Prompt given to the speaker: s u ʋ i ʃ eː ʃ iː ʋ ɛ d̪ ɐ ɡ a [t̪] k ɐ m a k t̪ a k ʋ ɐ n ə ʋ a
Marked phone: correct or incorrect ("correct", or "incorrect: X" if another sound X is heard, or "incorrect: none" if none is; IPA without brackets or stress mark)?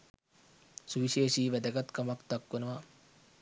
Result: correct